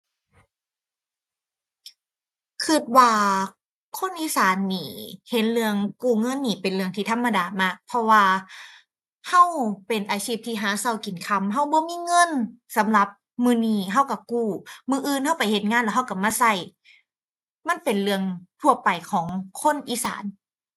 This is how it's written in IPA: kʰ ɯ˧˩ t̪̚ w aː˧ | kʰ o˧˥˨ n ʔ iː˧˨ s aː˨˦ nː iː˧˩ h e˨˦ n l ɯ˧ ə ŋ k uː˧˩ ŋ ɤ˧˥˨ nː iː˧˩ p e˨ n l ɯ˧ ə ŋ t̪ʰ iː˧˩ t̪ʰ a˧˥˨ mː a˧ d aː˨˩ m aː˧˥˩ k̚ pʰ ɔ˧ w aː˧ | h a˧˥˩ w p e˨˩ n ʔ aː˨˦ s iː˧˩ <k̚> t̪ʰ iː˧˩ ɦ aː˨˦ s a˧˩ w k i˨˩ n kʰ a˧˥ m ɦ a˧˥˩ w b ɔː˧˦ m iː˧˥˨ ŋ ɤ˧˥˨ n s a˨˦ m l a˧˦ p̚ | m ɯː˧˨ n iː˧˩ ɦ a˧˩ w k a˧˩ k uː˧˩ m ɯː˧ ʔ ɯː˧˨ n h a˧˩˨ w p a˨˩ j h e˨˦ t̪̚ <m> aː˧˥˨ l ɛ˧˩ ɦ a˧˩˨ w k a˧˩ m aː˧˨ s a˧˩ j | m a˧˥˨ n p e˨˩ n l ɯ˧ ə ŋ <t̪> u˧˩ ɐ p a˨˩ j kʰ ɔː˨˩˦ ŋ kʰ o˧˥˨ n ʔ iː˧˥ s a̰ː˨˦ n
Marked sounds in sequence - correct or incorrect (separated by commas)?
incorrect, incorrect, incorrect